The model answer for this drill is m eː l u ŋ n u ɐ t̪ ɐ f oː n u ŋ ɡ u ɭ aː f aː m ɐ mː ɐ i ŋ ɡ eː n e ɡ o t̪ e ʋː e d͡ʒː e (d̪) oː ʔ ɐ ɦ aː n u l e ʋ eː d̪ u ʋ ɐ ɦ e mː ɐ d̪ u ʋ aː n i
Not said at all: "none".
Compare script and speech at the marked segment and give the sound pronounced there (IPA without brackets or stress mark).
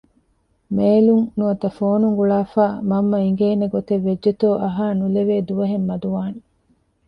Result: t̪